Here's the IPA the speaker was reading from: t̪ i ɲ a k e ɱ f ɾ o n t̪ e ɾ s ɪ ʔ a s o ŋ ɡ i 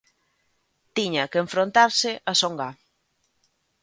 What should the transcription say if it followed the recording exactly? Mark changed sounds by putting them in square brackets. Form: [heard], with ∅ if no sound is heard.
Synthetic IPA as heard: t̪ i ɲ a k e ɱ f ɾ o n t̪ [a] ɾ s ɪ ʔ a s o ŋ ɡ [a]